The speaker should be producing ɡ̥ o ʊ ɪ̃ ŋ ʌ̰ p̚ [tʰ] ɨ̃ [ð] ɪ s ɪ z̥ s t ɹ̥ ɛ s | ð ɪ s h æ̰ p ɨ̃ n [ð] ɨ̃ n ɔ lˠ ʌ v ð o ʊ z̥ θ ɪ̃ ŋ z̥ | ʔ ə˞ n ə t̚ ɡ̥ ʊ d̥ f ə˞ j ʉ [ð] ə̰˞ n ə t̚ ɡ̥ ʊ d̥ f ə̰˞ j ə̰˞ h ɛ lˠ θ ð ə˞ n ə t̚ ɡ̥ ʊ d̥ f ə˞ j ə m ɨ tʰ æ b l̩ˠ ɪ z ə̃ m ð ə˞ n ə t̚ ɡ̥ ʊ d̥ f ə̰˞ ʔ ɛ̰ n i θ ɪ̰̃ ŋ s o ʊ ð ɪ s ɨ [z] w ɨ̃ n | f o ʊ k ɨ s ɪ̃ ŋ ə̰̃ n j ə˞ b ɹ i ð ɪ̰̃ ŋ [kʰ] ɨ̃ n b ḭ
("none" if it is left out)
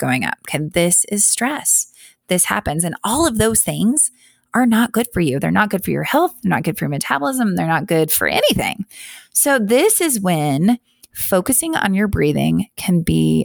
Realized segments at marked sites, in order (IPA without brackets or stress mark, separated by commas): kʰ, ð, z, ð, z, kʰ